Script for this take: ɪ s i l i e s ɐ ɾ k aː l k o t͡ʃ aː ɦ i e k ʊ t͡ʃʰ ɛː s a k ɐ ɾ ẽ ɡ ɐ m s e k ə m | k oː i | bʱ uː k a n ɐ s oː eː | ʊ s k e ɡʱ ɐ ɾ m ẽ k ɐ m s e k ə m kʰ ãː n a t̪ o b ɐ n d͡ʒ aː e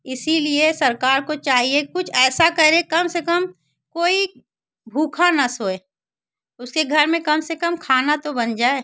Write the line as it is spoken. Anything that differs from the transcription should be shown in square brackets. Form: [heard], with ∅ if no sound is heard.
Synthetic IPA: ɪ s i l i e s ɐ ɾ k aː [ɾ] k o t͡ʃ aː ɦ i e k ʊ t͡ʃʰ ɛː s a k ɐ ɾ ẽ [k] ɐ m s e k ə m | k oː i | bʱ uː [kʰ] a n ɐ s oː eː | ʊ s k e ɡʱ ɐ ɾ m ẽ k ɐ m s e k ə m kʰ [aː] n a t̪ o b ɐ n d͡ʒ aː e